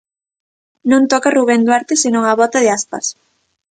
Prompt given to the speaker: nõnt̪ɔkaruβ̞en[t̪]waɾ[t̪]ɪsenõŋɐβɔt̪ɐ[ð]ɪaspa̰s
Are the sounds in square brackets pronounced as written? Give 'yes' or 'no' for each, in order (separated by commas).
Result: no, yes, yes